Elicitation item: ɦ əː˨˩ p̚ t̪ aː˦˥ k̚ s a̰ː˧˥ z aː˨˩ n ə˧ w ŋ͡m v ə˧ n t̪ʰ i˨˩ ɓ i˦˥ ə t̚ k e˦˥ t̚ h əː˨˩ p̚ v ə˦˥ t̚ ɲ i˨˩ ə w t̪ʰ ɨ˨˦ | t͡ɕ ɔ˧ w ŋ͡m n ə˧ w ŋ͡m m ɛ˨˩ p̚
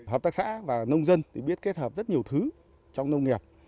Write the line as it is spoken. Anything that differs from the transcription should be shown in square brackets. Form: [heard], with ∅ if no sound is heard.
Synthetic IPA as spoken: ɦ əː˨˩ p̚ t̪ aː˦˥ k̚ s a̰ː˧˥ [v] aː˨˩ n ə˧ w ŋ͡m [z] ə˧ n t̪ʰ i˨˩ ɓ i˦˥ ə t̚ k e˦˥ t̚ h əː˨˩ p̚ [z] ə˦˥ t̚ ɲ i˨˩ ə w t̪ʰ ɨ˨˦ | t͡ɕ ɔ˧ w ŋ͡m n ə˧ w ŋ͡m [ŋ] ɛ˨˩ p̚

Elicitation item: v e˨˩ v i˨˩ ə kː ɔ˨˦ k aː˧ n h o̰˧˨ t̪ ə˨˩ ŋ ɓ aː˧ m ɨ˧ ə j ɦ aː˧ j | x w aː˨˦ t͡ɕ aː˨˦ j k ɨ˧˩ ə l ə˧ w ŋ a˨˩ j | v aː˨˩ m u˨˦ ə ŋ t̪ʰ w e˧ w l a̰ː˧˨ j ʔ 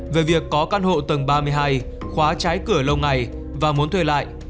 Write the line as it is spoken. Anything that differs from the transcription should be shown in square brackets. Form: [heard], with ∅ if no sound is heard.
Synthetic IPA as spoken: v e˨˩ v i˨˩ ə kː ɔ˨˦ k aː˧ n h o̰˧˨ t̪ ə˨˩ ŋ ɓ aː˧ m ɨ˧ ə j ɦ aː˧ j | x w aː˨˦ t͡ɕ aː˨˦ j k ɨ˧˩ ə l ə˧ w ŋ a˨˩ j | v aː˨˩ m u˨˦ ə [n] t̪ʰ w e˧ [∅] l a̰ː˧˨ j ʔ

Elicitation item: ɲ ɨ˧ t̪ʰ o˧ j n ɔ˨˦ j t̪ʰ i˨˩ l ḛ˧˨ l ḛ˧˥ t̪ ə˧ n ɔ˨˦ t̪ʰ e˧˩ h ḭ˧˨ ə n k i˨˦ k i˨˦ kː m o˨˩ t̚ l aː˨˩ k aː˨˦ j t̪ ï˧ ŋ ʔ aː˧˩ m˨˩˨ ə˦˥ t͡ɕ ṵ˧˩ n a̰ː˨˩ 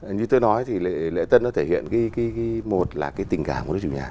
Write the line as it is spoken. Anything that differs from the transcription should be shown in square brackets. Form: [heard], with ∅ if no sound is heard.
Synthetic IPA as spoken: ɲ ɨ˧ [t̪] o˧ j n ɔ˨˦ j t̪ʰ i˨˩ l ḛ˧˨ l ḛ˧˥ t̪ ə˧ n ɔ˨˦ t̪ʰ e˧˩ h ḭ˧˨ ə n k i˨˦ k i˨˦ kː m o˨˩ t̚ l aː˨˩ k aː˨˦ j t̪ [ï˨˩] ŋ [k] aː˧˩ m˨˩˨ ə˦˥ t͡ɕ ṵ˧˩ [ɲ] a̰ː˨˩

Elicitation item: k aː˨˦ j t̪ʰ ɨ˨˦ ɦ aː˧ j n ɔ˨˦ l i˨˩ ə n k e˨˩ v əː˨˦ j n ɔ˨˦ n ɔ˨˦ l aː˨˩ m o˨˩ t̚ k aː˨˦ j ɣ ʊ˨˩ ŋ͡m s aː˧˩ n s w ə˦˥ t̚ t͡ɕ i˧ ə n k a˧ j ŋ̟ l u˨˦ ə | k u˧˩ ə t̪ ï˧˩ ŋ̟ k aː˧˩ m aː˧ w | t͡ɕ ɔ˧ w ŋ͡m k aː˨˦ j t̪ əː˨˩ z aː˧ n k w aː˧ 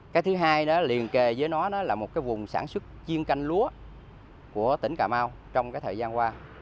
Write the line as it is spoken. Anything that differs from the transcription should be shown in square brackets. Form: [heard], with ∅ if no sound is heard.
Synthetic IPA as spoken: k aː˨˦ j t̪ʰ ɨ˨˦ ɦ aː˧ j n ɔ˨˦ l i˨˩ ə n k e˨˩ [z] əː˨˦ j n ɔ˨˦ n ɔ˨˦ l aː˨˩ m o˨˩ t̚ k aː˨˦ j [v] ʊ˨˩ ŋ͡m s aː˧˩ n s w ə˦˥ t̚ t͡ɕ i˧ ə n k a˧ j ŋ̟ l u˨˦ ə | k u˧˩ ə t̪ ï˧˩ ŋ̟ k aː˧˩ m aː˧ w | t͡ɕ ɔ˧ w ŋ͡m k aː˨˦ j [t̪ʰ] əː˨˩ z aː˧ n k w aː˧

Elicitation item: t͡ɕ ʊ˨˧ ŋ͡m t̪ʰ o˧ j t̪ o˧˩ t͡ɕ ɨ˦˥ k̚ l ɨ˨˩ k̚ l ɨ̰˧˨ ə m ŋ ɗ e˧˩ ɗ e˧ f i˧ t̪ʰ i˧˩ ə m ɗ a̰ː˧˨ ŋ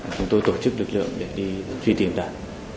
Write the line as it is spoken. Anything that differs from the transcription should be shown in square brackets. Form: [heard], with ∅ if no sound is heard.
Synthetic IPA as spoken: t͡ɕ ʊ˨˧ ŋ͡m [t̪] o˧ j t̪ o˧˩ t͡ɕ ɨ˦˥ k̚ l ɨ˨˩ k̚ l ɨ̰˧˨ ə [∅] ŋ ɗ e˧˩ ɗ [i˧] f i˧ [t̪] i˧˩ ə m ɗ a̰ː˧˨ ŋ

